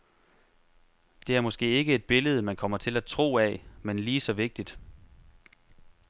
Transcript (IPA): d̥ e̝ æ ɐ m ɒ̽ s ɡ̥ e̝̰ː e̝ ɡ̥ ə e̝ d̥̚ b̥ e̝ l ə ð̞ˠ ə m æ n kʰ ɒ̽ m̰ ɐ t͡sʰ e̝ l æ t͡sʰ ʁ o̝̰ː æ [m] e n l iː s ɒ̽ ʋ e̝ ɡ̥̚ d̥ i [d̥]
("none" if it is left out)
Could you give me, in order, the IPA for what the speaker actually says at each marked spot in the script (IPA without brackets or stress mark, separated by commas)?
m, d̥